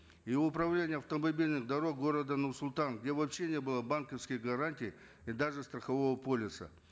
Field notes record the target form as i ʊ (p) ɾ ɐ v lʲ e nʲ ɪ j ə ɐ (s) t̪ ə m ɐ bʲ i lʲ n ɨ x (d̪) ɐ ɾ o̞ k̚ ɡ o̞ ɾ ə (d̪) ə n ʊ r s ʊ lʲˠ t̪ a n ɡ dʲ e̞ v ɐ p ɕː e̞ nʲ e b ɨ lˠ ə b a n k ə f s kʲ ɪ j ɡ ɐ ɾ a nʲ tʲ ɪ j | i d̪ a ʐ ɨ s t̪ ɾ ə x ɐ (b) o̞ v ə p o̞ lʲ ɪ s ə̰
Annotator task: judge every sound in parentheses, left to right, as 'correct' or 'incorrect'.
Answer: correct, incorrect: f, correct, correct, incorrect: v

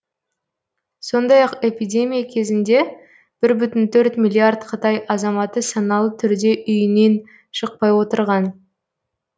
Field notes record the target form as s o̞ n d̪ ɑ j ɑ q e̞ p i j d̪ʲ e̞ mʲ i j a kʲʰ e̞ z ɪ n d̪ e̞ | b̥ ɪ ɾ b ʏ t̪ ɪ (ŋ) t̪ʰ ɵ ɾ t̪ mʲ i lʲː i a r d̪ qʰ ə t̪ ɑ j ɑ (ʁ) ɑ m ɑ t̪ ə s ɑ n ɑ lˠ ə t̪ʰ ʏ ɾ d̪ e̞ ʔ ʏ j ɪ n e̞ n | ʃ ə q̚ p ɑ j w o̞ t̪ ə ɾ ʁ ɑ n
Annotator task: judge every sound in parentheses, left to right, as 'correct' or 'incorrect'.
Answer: incorrect: n, incorrect: z

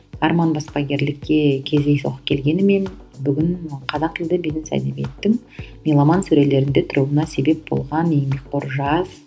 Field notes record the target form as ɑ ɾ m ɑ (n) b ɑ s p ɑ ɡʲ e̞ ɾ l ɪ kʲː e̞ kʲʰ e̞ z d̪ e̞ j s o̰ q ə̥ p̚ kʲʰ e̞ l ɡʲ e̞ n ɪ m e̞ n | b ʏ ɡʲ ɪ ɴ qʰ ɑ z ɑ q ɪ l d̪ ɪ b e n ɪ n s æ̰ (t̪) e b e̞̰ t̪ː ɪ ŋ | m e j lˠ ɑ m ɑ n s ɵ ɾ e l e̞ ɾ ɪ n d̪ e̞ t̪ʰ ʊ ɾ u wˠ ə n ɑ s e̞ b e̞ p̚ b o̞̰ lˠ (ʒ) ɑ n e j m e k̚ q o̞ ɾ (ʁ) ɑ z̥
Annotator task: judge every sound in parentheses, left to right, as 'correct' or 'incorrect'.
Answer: correct, incorrect: d̪, incorrect: ʁ, incorrect: ʒ

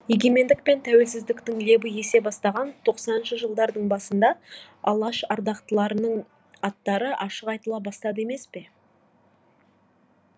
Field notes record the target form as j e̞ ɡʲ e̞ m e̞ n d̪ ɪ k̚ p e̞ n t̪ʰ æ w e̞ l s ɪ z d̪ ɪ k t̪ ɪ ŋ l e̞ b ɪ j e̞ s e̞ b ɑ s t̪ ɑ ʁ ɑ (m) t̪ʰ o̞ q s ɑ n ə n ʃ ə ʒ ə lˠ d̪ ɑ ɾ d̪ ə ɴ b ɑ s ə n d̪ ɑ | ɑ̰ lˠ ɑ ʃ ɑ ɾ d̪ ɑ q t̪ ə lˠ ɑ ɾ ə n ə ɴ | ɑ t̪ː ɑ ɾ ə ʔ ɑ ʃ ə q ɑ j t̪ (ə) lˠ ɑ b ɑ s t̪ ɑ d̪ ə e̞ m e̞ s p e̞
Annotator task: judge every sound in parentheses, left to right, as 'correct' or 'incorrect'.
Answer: incorrect: n, correct

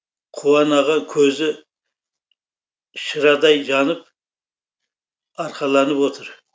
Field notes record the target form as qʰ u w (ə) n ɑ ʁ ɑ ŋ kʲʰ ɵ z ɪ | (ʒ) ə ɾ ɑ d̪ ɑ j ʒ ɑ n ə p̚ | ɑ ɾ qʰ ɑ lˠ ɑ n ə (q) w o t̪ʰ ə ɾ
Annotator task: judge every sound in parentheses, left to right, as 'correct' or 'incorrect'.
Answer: incorrect: ɑ, incorrect: ʃ, incorrect: p

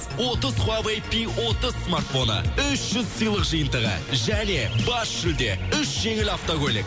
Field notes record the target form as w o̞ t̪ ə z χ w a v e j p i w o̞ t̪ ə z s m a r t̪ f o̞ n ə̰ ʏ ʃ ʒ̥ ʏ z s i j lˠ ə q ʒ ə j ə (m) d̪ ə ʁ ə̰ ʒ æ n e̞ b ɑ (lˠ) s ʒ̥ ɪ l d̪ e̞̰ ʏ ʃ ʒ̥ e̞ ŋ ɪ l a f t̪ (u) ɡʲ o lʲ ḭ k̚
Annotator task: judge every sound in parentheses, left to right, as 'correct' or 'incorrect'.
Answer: incorrect: n, incorrect: none, incorrect: o

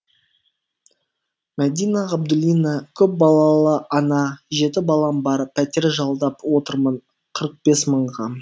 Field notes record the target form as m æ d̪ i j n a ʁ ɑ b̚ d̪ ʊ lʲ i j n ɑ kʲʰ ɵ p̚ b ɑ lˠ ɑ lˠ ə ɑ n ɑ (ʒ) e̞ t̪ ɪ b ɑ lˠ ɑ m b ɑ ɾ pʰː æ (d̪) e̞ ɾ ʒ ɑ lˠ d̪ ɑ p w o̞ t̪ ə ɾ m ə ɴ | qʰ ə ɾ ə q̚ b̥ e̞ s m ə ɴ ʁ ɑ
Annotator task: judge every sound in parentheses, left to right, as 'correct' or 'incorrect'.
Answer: correct, incorrect: t̪

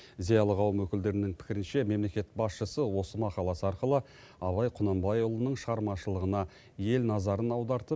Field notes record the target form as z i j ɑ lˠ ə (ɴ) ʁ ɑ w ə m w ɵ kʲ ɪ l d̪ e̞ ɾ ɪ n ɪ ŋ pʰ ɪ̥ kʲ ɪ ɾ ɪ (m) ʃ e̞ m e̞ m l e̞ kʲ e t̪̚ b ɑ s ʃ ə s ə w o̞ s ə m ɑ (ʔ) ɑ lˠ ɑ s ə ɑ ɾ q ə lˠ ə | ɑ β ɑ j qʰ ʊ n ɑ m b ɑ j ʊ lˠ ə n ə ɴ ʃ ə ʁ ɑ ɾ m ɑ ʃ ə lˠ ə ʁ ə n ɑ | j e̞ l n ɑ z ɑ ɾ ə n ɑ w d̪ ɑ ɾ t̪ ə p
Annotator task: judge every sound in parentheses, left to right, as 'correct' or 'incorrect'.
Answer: incorrect: none, incorrect: n, incorrect: q

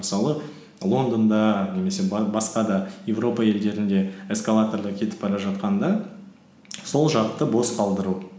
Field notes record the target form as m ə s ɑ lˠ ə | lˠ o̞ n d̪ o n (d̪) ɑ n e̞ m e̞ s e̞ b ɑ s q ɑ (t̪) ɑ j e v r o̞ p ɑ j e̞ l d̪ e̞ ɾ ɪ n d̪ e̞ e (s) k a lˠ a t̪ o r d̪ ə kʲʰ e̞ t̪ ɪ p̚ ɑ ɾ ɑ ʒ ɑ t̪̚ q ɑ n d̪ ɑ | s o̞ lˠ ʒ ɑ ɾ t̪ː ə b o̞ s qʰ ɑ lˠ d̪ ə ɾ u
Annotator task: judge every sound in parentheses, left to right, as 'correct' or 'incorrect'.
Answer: correct, incorrect: d̪, correct

